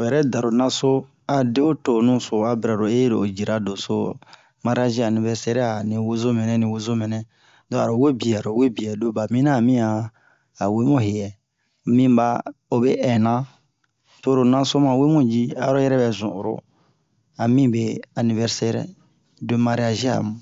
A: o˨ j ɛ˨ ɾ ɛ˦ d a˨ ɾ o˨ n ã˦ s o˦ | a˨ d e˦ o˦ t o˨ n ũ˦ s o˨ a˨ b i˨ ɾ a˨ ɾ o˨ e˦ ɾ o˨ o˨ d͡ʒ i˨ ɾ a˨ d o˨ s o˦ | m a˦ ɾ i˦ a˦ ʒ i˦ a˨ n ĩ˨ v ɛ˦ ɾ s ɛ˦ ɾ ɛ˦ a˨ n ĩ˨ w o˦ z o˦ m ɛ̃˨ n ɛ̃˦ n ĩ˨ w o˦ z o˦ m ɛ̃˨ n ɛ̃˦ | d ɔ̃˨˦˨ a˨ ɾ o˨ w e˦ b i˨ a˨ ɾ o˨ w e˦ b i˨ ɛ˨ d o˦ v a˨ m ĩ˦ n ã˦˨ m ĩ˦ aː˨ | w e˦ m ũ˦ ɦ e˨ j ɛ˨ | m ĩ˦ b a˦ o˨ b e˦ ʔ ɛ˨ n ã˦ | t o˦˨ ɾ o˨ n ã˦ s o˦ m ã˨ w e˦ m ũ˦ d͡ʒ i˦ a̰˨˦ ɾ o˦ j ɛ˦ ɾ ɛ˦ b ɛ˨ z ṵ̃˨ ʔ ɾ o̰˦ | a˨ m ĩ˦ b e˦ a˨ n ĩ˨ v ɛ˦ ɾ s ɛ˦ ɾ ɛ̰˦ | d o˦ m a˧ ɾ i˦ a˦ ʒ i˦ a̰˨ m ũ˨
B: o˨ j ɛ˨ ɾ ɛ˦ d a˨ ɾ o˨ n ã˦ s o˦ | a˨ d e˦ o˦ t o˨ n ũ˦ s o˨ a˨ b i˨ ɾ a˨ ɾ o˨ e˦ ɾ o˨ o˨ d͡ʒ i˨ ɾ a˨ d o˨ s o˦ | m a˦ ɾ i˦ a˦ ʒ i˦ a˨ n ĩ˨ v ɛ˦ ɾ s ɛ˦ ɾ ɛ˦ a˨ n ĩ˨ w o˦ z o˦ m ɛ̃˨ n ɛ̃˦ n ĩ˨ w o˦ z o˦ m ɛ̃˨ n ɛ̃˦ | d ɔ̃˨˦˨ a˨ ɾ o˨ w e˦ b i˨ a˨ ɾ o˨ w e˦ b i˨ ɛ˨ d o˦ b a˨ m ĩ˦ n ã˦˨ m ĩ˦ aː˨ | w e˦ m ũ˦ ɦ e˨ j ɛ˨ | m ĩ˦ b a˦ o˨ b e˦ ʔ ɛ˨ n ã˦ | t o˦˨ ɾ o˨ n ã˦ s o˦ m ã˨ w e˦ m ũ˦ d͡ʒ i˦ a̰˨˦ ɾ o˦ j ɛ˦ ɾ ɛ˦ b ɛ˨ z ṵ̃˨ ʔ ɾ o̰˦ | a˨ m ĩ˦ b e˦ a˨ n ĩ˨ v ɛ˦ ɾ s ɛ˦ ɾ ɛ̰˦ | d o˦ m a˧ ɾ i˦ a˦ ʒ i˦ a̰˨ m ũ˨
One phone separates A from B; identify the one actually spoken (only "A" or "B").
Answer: B